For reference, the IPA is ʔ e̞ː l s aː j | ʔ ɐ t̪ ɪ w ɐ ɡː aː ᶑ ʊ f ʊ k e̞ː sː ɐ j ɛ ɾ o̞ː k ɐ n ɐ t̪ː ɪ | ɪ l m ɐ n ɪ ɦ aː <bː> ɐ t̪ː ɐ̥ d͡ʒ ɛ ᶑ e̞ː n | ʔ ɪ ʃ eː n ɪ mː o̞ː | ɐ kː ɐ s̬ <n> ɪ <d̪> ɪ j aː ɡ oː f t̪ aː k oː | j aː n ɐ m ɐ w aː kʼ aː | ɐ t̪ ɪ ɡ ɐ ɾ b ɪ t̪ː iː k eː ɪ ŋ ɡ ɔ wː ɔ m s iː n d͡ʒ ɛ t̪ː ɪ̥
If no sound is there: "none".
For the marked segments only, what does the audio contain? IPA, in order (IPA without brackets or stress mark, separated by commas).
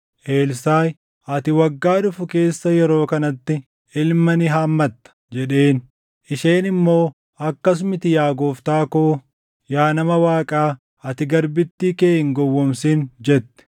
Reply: mː, m, t̪